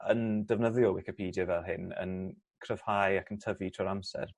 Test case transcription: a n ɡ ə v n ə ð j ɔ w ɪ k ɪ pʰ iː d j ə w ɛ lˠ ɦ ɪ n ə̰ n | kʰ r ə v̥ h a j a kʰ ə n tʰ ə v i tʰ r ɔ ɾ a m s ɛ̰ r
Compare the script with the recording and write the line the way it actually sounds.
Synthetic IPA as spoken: ə n d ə v n ə ð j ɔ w ɪ k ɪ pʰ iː d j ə v ɛ lˠ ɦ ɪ n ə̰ n | kʰ r ə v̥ h a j a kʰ ə n tʰ ə v i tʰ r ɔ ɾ a m s ɛ̰ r